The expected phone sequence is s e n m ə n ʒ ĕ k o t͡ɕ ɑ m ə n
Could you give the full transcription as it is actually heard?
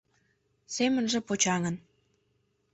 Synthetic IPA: s e m ə n ʒ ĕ p o t͡ɕ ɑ ŋ ə n